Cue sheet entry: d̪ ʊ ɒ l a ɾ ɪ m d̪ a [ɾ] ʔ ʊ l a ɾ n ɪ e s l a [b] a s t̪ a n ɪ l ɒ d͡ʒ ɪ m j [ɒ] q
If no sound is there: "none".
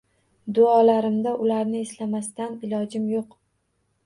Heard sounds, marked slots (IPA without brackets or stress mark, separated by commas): none, m, o